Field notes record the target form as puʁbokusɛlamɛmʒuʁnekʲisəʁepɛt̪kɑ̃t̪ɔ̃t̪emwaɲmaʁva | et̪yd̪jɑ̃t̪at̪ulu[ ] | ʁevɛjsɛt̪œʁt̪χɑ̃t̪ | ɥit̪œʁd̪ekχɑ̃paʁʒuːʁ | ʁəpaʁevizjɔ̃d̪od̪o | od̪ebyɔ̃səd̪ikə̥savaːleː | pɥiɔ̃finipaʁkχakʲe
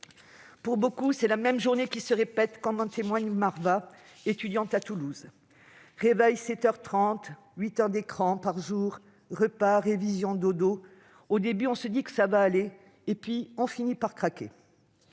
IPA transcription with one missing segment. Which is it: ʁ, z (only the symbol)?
z